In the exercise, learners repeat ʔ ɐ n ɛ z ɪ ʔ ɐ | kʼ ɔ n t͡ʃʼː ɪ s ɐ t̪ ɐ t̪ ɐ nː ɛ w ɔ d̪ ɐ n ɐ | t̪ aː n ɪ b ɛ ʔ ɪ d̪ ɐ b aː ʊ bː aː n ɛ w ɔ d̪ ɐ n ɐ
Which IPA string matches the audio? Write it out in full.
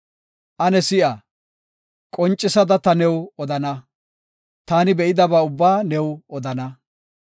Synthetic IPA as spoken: ʔ ɐ n ɛ s ɪ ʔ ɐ | kʼ ɔ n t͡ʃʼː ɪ s ɐ d̪ ɐ t̪ ɐ n ɛ w ɔ d̪ ɐ n ɐ | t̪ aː n ɪ b ɛ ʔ ɪ d̪ ɐ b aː ʊ bː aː n ɛ w ɔ d̪ ɐ n ɐ